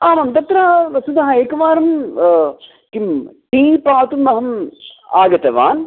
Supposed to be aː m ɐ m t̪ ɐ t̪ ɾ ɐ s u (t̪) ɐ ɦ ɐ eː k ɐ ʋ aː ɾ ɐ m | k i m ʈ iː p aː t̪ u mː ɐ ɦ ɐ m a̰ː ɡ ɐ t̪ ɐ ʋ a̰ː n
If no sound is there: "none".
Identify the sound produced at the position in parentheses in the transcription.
d̪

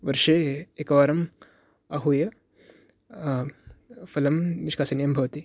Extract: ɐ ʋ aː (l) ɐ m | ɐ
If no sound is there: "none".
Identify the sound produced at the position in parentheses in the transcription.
ɾ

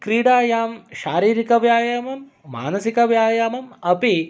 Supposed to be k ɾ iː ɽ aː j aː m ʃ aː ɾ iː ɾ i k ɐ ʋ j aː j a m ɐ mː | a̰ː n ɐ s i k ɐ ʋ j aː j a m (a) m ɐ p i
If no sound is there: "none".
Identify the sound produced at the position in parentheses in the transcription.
ɐ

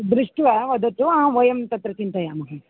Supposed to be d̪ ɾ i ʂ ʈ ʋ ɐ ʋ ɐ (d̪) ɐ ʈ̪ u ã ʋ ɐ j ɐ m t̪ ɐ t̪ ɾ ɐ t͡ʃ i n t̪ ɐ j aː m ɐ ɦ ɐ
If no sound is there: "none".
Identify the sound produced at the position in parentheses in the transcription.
d̪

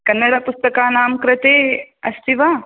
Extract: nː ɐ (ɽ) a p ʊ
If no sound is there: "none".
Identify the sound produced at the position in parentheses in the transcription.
ɽ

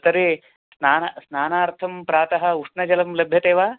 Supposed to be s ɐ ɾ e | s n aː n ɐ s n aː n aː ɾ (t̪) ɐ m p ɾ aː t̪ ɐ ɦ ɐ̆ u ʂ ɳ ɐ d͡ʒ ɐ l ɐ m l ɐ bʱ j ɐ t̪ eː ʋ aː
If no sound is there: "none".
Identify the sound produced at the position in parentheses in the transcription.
t̪ʰ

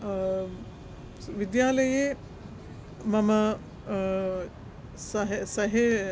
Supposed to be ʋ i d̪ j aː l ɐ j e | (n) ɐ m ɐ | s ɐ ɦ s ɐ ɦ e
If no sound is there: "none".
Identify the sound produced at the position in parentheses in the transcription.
m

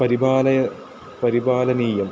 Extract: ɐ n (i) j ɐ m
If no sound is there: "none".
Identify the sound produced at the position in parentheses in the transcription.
iː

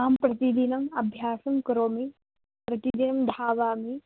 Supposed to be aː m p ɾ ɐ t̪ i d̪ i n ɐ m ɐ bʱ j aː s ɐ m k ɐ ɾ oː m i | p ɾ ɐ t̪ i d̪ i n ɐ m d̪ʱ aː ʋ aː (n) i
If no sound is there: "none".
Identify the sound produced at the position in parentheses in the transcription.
m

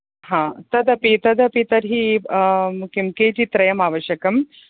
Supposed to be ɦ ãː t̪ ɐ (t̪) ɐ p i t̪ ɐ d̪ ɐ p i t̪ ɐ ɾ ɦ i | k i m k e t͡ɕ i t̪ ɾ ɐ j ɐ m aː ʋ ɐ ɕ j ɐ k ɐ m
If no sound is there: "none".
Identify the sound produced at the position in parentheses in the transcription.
d̪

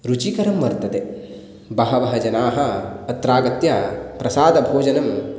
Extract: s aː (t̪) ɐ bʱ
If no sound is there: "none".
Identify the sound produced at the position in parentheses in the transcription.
d̪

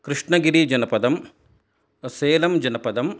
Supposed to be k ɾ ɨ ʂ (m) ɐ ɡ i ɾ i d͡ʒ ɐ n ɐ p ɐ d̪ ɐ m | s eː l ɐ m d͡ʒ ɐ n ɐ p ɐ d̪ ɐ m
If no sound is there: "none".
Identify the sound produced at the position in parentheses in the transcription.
ɳ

